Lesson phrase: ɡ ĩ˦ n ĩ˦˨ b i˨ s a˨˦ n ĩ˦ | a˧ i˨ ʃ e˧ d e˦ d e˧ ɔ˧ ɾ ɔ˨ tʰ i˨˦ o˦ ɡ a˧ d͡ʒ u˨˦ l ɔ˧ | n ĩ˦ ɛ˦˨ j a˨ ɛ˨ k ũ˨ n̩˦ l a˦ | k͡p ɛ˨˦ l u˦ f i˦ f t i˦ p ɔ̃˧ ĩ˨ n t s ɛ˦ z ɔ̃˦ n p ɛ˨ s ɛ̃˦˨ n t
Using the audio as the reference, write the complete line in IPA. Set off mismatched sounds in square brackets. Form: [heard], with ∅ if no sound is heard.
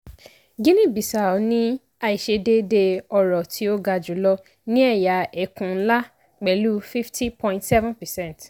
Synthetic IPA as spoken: ɡ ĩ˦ n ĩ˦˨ b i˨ s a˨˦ n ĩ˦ | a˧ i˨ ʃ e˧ d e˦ d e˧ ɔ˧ ɾ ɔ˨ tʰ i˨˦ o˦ ɡ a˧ d͡ʒ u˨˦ l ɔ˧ | n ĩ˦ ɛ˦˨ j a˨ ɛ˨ k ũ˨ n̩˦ l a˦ | k͡p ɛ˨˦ l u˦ f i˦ f t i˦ p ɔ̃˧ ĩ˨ n t s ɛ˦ [v] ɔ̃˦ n p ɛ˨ s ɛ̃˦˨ n t